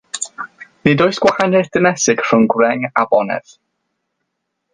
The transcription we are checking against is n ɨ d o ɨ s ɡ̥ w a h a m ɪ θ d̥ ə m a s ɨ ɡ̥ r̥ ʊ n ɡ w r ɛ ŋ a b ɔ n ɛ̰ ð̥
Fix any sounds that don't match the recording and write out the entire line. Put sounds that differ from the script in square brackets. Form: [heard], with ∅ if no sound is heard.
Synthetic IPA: n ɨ d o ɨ s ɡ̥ w a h a [n] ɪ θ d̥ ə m [ɛ] s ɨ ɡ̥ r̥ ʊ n ɡ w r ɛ ŋ a b ɔ n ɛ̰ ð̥